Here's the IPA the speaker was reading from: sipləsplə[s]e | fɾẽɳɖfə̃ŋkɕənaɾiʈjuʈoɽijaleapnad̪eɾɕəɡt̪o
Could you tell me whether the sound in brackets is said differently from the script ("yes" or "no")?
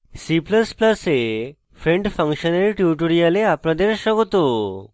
no